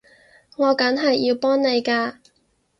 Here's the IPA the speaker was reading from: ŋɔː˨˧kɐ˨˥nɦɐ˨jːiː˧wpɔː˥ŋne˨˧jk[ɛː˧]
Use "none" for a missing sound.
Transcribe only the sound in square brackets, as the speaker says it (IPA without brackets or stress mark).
aː˧